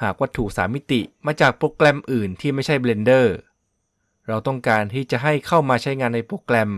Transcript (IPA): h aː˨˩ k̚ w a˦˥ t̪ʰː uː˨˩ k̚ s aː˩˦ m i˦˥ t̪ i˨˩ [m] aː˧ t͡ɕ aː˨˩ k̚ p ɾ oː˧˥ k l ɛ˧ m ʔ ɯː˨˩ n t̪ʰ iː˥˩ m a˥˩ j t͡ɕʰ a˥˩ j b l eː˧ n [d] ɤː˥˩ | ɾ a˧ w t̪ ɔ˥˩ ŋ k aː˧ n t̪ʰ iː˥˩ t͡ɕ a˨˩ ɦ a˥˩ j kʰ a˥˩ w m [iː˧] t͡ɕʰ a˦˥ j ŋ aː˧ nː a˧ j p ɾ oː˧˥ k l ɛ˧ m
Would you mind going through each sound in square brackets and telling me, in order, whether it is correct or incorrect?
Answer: correct, correct, incorrect: aː˧

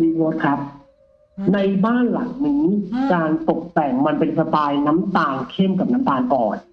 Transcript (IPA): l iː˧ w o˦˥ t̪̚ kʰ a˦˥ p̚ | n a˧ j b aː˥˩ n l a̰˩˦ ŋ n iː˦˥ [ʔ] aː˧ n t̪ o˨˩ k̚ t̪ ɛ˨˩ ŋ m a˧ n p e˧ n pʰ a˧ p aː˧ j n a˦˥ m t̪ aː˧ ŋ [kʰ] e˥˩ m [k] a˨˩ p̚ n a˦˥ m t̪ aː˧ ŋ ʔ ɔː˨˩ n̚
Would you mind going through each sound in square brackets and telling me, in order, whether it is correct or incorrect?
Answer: incorrect: k, correct, correct

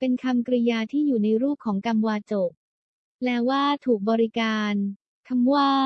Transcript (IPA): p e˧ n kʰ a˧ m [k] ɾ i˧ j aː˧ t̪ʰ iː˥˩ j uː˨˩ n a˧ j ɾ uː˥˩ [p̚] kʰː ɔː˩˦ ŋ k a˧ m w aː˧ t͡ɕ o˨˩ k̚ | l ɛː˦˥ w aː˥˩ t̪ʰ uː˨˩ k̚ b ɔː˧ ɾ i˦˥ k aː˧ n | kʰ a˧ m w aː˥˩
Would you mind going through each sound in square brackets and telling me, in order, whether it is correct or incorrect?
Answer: correct, correct

